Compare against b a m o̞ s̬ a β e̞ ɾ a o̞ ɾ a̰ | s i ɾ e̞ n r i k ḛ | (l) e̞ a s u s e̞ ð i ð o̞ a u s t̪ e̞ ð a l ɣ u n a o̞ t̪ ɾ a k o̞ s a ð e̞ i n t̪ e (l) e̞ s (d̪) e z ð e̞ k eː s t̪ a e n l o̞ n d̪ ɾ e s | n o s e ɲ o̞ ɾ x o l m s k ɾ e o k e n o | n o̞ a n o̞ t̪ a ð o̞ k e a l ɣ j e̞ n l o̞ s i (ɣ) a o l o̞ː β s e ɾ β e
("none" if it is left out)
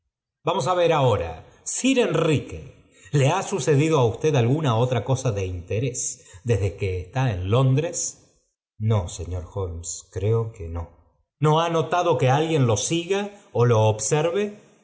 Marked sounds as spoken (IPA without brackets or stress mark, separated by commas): l, ɾ, d̪, ɣ